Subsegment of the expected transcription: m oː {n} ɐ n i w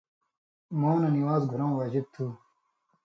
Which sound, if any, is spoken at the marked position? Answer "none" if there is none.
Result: n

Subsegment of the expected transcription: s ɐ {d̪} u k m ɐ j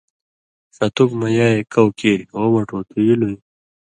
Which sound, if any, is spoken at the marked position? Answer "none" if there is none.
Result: t̪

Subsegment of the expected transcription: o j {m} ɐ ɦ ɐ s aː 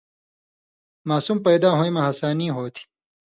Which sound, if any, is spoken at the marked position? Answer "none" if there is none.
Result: m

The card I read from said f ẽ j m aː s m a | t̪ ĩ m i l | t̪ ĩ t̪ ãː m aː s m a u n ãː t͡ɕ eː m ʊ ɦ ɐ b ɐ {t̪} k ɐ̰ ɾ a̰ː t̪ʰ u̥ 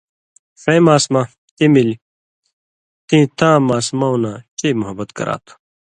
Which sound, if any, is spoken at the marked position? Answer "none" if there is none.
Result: t̪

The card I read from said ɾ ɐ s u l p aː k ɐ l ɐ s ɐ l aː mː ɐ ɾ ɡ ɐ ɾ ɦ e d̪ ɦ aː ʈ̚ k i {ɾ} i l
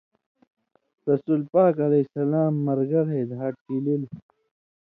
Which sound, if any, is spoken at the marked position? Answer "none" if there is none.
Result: l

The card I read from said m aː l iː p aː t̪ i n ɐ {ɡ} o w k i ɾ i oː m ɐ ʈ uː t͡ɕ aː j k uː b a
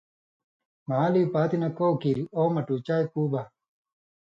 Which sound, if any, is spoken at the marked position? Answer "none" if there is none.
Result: k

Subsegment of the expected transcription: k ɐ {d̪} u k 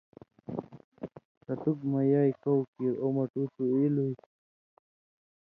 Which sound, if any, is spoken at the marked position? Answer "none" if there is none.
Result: t̪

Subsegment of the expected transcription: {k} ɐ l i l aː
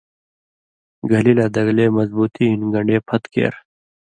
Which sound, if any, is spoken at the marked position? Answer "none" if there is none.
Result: ɡ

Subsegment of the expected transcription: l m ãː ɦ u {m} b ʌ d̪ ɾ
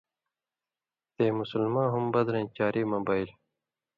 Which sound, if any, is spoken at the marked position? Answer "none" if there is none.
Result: m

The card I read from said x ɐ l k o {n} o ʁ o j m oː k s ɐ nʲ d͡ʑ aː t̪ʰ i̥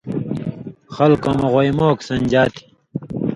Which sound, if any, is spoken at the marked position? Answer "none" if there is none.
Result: m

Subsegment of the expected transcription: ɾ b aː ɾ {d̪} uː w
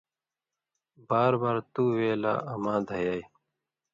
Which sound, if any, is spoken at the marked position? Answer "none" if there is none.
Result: t̪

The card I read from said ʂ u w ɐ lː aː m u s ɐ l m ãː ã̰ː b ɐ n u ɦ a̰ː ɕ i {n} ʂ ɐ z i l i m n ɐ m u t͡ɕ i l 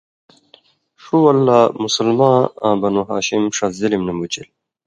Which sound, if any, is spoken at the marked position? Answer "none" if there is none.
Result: m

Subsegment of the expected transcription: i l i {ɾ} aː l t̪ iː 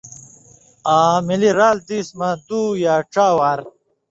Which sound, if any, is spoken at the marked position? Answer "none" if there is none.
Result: ɾ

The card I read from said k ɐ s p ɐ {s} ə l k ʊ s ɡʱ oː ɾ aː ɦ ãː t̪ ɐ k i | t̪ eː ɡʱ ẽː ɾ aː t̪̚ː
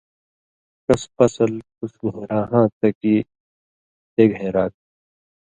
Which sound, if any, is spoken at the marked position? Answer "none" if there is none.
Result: s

